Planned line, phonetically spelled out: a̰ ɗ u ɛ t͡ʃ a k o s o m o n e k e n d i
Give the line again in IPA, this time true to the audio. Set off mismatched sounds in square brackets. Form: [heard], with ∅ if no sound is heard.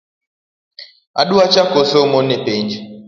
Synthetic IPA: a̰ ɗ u [a] t͡ʃ a k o s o m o n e [p] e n [d͡ʒ] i